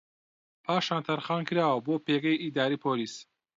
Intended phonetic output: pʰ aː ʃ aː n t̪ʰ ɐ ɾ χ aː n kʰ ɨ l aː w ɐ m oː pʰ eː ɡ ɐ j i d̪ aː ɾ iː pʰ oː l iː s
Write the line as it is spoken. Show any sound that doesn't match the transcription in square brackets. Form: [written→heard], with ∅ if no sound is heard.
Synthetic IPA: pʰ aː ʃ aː n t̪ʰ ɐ ɾ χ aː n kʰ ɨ [l→ɾ] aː w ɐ [m→b] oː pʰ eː ɡ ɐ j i d̪ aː ɾ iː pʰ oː l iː s

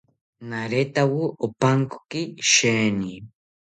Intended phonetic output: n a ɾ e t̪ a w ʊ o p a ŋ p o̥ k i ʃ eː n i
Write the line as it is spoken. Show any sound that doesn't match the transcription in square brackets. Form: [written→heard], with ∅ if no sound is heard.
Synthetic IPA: n a ɾ e t̪ a w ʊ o p a ŋ [p→k] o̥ k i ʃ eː n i

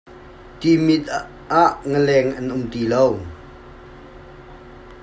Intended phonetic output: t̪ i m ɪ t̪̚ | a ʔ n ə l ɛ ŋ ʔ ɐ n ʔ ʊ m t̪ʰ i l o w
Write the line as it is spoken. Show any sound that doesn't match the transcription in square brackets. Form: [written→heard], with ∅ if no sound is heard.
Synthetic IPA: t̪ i m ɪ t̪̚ | a ʔ [n→ŋ] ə l ɛ ŋ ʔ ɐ n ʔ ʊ m [t̪ʰ→t̪] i l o w

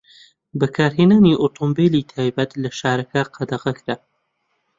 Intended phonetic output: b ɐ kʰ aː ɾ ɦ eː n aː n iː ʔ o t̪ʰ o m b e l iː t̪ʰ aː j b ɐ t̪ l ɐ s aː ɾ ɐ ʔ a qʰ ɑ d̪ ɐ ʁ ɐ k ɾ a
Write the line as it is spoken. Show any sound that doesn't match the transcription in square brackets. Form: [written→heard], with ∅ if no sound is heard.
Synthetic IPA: b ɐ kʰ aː ɾ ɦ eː n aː n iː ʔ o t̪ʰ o m b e l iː t̪ʰ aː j b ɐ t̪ l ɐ [s→ʃ] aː ɾ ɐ [ʔ→k] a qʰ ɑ d̪ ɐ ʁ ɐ k ɾ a

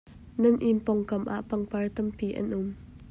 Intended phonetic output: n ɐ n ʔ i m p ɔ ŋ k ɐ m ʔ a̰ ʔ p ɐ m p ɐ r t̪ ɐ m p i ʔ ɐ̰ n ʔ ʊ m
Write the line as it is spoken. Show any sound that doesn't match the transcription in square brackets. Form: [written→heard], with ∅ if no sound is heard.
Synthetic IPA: n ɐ n ʔ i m p ɔ ŋ k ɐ m ʔ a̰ ʔ p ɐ [m→ŋ] p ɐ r t̪ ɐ m p i ʔ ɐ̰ n ʔ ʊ m

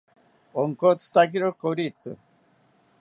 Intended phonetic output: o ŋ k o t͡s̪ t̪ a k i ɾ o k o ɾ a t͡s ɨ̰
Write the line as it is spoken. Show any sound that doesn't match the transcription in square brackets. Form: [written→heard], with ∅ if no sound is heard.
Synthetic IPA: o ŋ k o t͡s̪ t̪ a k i ɾ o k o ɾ [a→i] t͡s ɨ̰

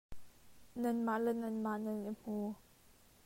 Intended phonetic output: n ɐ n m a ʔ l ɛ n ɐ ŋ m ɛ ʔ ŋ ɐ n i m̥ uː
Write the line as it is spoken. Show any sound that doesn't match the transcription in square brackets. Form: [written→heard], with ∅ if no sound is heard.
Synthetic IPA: n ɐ n m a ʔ l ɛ n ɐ [ŋ→n] m [ɛ→a] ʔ [ŋ→n] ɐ n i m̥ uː

